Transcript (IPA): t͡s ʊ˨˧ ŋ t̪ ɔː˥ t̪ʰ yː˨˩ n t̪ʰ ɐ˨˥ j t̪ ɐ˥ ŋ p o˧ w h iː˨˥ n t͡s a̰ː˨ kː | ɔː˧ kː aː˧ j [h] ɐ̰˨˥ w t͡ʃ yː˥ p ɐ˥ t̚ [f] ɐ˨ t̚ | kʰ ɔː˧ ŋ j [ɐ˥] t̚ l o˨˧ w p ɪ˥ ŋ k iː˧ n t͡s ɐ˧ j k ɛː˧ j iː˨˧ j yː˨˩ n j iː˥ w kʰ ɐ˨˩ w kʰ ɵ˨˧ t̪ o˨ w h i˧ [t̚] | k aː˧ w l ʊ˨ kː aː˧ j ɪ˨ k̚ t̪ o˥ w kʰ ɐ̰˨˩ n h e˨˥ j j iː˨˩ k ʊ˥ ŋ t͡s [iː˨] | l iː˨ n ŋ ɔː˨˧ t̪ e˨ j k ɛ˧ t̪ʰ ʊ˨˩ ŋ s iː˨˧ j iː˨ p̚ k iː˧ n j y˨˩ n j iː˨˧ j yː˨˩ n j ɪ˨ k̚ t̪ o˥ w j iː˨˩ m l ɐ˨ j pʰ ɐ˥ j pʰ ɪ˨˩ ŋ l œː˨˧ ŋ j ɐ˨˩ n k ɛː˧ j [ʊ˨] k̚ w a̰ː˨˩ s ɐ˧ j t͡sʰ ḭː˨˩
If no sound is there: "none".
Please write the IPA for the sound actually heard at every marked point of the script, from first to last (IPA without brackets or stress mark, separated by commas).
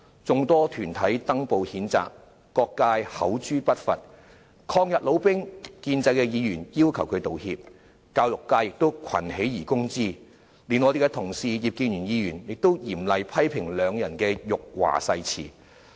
h, f, ɐ˨, p̚, iː˥, ʊ˨